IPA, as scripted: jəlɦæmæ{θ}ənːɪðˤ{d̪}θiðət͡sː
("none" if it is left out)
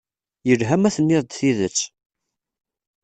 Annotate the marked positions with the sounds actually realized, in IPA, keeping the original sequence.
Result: θ, d̪

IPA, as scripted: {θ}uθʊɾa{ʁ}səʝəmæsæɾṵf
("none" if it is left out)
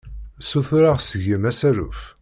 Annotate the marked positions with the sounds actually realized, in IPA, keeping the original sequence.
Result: s, ʁ

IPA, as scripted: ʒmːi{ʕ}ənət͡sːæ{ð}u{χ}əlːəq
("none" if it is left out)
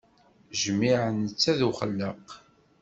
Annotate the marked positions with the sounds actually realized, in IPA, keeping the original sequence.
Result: ʕ, ð, χ

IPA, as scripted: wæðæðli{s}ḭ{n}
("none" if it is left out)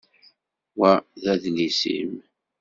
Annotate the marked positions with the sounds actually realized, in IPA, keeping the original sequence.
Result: s, m

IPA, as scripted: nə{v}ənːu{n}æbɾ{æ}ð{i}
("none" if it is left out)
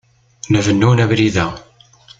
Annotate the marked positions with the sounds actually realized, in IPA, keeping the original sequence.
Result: v, n, i, æ

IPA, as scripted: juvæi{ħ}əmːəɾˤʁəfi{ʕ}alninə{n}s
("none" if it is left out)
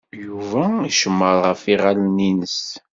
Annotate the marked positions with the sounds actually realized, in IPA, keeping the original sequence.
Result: ʃ, ʁ, none

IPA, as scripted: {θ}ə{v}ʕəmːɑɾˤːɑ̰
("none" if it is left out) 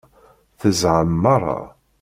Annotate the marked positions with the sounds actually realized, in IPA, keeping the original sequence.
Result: θ, z

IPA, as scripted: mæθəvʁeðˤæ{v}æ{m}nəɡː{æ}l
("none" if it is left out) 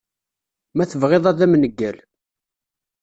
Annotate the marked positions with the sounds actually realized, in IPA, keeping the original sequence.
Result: ð, m, æ

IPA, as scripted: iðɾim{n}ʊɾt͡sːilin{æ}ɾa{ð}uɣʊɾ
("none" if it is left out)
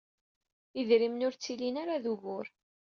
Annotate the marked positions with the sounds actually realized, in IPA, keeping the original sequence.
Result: n, a, ð

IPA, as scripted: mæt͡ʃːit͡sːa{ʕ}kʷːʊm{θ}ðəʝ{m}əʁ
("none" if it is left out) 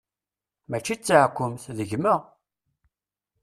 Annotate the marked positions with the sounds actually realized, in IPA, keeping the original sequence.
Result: ʕ, θ, m

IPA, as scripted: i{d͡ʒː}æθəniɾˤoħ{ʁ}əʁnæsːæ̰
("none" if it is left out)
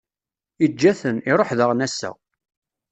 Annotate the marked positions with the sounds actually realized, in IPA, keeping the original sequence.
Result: d͡ʒː, ð

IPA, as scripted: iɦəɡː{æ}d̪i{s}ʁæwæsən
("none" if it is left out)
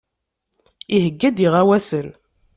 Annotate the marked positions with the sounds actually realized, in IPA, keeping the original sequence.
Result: æ, none

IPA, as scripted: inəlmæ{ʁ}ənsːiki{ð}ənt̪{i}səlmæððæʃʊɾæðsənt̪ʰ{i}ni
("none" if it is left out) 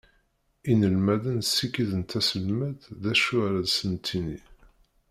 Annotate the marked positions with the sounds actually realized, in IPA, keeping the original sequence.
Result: ð, ð, æ, i

